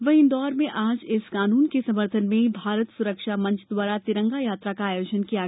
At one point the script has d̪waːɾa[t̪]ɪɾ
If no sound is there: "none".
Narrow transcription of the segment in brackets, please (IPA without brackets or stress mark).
t̪